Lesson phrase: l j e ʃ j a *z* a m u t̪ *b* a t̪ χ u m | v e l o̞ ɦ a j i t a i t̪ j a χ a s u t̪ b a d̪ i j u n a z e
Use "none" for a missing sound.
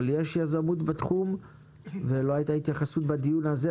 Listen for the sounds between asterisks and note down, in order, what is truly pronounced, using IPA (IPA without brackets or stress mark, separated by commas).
z, b